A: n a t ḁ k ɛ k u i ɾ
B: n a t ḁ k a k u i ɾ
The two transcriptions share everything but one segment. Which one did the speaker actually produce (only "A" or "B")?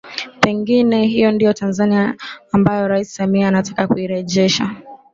B